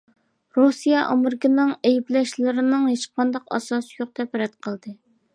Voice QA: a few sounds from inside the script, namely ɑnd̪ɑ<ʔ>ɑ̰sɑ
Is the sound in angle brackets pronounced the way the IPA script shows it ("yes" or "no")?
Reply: no